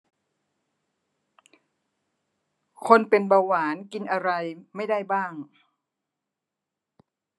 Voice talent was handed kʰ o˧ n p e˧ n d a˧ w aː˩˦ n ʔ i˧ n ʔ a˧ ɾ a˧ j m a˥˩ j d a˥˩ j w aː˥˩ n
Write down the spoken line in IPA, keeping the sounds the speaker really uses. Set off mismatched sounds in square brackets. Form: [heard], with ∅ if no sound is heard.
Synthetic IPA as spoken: kʰ o˧ n p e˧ n [b] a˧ w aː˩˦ n [k] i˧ n ʔ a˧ ɾ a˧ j m a˥˩ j d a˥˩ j [b] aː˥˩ [ŋ]